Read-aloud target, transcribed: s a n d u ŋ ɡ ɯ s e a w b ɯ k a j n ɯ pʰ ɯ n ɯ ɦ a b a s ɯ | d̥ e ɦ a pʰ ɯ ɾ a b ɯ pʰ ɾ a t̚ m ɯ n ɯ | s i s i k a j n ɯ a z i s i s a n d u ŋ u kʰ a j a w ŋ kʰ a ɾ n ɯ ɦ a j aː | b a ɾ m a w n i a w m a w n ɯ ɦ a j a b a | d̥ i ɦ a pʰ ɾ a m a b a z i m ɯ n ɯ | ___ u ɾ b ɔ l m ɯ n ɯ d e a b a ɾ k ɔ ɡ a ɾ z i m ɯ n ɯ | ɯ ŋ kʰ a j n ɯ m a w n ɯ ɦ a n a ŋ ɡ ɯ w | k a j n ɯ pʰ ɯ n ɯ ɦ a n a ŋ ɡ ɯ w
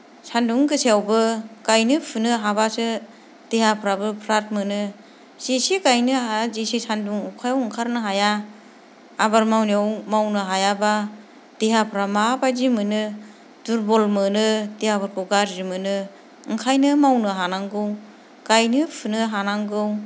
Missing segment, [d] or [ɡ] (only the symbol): d